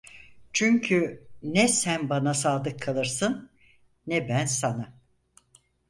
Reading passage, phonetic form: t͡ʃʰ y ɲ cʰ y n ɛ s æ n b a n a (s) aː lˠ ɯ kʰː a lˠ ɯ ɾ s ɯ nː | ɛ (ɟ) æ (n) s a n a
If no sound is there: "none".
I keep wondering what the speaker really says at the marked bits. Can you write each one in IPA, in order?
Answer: s, b, n

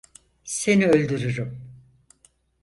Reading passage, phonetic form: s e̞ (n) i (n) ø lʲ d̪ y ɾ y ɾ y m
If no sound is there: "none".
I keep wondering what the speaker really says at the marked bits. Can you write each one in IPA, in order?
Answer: n, none

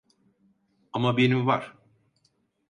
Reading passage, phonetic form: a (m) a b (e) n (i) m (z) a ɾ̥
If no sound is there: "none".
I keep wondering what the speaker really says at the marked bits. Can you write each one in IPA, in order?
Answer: m, e, i, v

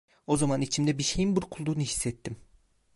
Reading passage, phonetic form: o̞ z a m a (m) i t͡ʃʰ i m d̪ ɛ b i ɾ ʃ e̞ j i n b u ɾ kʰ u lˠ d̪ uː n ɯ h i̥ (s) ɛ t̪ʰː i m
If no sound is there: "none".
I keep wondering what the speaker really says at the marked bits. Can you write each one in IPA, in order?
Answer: n, sː

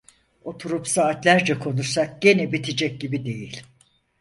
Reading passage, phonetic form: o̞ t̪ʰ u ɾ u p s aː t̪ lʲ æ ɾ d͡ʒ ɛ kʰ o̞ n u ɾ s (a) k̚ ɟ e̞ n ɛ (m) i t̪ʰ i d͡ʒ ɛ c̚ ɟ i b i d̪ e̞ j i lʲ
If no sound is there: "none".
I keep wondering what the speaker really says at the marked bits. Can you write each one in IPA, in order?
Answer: a, b

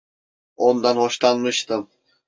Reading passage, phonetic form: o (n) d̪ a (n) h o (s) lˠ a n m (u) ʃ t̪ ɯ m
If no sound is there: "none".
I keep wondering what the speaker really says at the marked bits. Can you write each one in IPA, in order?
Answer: n, n, ʃ, ɯ

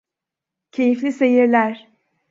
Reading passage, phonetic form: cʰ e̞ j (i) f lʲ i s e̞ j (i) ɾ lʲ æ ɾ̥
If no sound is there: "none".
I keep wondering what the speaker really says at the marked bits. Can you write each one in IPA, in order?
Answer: i, i

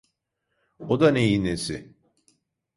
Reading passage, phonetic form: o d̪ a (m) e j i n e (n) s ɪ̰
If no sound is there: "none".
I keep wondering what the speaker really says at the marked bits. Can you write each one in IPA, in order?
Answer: n, none

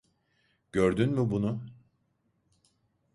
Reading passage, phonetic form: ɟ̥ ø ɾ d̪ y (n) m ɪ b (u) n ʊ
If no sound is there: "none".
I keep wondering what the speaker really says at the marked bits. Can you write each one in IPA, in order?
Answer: n, u

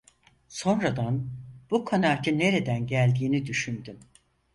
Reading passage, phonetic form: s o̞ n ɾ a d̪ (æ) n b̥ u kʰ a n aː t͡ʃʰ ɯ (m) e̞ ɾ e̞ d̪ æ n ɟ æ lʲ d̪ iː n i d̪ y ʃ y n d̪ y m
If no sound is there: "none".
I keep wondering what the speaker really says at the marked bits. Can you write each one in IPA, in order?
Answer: a, n

